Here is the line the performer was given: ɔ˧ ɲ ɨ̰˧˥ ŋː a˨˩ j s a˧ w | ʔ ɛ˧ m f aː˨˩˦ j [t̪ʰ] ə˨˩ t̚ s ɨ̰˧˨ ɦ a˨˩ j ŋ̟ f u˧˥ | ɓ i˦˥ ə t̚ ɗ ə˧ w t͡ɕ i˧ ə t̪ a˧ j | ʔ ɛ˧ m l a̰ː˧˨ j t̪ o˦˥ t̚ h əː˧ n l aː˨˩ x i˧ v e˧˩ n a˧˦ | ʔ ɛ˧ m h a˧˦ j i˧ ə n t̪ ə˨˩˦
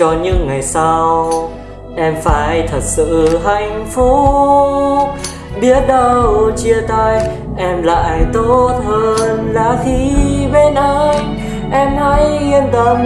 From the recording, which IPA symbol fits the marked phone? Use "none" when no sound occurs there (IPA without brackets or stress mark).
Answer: t̪ʰ